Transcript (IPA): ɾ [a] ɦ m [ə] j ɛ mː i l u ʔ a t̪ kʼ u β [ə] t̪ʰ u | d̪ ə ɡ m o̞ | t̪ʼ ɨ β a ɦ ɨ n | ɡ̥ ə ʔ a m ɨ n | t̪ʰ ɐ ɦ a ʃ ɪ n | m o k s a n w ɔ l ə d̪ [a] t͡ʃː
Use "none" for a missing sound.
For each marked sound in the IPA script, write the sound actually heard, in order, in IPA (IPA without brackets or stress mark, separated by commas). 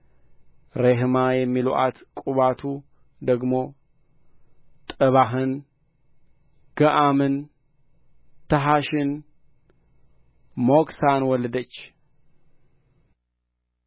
e, a, a, ə